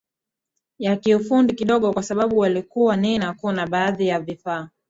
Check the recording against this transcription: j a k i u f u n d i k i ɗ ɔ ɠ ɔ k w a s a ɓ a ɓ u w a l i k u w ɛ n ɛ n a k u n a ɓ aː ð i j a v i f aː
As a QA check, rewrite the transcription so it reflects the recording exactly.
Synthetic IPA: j a k i u f u n d i k i ɗ ɔ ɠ ɔ k w a s a ɓ a ɓ u w a l i k u w a n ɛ n a k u n a ɓ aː ð i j a v i f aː